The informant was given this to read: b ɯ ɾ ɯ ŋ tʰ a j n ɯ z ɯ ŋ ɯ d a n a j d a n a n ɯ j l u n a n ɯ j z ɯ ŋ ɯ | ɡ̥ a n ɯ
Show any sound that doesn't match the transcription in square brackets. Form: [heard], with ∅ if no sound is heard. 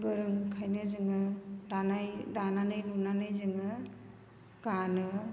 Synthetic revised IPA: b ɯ ɾ ɯ ŋ [kʰ] a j n ɯ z ɯ ŋ ɯ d a n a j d a n a n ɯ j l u n a n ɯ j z ɯ ŋ ɯ | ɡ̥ a n ɯ